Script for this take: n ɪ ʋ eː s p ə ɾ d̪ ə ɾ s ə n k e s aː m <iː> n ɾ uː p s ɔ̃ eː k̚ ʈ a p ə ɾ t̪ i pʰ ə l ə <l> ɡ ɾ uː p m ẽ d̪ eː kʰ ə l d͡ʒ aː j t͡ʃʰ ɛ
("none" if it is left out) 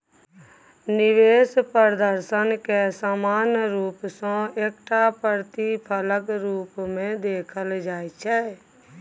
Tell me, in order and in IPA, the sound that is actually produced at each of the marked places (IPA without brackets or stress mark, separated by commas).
aː, none